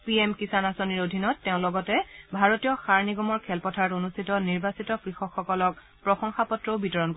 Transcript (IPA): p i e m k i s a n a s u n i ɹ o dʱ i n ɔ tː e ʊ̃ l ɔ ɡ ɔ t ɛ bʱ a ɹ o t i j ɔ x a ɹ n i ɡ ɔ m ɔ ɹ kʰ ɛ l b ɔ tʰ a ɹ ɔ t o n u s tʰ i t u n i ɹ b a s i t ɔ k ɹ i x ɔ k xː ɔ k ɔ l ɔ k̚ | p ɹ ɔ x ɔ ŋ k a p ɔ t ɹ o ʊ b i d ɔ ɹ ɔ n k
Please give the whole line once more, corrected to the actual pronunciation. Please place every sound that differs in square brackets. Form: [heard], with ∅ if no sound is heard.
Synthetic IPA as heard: p i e m k i s a n a s [o] n i ɹ o dʱ i n ɔ tː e ʊ̃ l ɔ ɡ ɔ t ɛ bʱ a ɹ o t i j ɔ x a ɹ n i ɡ ɔ m ɔ ɹ kʰ ɛ l [p] ɔ tʰ a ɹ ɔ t o n u s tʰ i t [ɔ] n i ɹ b a s i t ɔ k ɹ i x ɔ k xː ɔ k ɔ l ɔ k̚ | p ɹ ɔ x ɔ ŋ [x] a p ɔ t ɹ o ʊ b i [t] ɔ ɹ ɔ n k

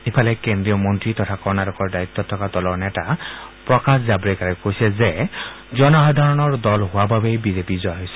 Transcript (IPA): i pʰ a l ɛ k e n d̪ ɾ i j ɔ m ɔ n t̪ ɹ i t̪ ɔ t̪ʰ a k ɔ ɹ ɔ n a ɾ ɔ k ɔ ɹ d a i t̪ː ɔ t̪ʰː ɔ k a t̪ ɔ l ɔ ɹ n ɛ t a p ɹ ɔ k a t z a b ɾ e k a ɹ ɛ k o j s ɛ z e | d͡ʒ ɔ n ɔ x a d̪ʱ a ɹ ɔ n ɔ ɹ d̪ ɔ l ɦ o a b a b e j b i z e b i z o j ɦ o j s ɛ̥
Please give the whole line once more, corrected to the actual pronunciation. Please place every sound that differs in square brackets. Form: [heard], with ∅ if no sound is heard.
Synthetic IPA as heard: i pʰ a l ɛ k e n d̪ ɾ i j ɔ m ɔ n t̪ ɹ i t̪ ɔ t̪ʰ a k ɔ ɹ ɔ n a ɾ ɔ k ɔ ɹ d a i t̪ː ɔ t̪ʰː ɔ k a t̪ ɔ l ɔ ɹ n ɛ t a p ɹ ɔ k a [s] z a b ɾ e k a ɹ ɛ k o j s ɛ z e | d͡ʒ ɔ n ɔ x a d̪ʱ a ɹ ɔ n ɔ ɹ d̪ ɔ l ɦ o a b a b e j b i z e [p] i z [ɔ] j ɦ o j s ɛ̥

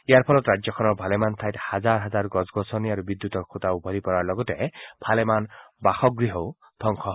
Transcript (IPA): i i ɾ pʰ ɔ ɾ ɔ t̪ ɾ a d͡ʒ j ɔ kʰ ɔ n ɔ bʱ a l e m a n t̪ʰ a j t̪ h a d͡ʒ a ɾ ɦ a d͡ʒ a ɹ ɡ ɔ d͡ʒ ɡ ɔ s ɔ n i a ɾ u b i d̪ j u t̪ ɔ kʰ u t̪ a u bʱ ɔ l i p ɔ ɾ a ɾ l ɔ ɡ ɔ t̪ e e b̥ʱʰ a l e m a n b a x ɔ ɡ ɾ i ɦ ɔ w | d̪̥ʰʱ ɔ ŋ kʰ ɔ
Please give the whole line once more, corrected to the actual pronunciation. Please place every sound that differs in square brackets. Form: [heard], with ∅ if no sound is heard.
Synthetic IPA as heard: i [a] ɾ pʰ ɔ [l] ɔ t̪ ɾ a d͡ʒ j ɔ kʰ ɔ n ɔ bʱ a l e m a n t̪ʰ a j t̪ h a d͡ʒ a ɾ ɦ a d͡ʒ a [ɾ] ɡ ɔ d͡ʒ ɡ ɔ s ɔ n i a ɾ u b i d̪ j u t̪ ɔ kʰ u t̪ a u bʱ ɔ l i p ɔ ɾ a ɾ l ɔ ɡ ɔ t̪ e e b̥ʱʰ a l e m a n b a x ɔ ɡ ɾ i ɦ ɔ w | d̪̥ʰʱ ɔ ŋ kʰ ɔ

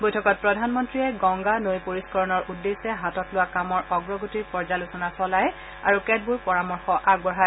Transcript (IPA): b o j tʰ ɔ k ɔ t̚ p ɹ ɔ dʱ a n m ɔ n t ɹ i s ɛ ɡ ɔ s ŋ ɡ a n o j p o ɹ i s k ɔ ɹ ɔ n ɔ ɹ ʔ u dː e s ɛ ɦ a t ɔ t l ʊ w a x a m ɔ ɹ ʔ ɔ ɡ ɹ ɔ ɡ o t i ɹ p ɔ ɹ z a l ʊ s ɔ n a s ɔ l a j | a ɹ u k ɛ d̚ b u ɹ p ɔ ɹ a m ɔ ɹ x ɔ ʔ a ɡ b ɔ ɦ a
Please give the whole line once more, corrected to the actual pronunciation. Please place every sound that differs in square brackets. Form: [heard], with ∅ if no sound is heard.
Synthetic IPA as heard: b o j tʰ ɔ k ɔ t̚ p ɹ ɔ dʱ a n m ɔ n t ɹ i [∅] ɛ ɡ ɔ [∅] ŋ ɡ a n o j p o ɹ i s k ɔ ɹ ɔ n ɔ ɹ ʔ u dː e s ɛ ɦ a t ɔ t l ʊ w a [k] a m ɔ ɹ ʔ ɔ ɡ ɹ ɔ ɡ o t i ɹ p ɔ ɹ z a l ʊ s ɔ n a s ɔ l a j | a ɹ u k ɛ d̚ b u ɹ p ɔ ɹ a m ɔ ɹ x ɔ ʔ a ɡ b ɔ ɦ a

